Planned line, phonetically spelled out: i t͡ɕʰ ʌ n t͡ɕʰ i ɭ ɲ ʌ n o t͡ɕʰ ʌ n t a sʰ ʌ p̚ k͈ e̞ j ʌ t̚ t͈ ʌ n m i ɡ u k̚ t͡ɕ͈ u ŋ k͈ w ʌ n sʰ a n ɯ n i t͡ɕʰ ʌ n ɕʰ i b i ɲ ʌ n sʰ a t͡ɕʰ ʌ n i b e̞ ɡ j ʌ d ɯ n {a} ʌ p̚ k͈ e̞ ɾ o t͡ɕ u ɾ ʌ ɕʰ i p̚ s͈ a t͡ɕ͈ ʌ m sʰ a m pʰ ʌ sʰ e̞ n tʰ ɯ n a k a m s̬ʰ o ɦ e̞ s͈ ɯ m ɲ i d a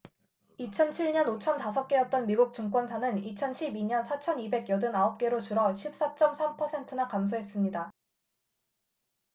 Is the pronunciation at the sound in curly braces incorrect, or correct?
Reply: correct